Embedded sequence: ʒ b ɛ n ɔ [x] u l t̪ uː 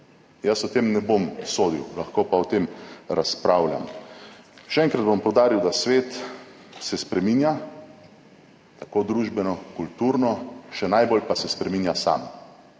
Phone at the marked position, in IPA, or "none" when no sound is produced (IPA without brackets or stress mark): k